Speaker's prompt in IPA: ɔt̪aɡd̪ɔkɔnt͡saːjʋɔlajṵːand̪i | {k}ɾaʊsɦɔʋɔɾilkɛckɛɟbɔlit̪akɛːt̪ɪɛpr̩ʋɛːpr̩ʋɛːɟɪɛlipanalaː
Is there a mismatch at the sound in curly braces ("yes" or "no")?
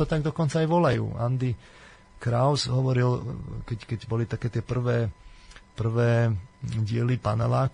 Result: no